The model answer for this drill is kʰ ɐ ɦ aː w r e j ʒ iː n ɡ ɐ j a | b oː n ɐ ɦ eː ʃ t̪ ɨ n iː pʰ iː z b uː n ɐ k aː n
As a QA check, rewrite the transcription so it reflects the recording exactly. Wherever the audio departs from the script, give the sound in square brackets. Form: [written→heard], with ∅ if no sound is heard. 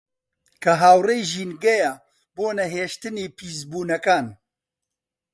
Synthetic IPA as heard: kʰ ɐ ɦ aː w r e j ʒ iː n ɡ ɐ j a | b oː n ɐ ɦ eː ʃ t̪ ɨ n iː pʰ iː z b uː n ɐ k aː n